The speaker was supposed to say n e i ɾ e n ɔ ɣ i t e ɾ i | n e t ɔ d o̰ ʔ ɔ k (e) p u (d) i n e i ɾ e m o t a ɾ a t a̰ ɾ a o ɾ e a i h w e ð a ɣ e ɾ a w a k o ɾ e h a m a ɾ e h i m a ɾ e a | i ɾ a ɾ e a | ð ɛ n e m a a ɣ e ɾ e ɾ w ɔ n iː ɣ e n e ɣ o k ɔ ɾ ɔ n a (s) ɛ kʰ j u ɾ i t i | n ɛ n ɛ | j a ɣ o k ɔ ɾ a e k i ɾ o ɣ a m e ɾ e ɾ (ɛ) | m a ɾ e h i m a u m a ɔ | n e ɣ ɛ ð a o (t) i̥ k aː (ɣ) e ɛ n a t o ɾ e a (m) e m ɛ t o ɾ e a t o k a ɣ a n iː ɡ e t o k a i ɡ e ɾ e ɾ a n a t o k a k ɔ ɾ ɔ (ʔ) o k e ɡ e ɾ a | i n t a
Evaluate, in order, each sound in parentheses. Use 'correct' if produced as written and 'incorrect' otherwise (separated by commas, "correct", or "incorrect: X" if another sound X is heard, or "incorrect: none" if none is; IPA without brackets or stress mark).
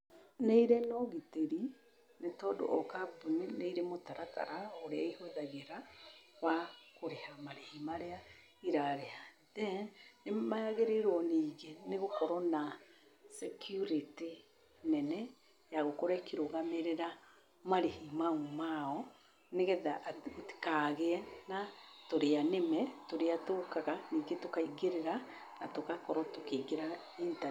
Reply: incorrect: a, incorrect: n, correct, incorrect: a, correct, correct, incorrect: n, incorrect: t